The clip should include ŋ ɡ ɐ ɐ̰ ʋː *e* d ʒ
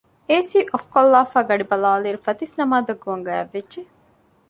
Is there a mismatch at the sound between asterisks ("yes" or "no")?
no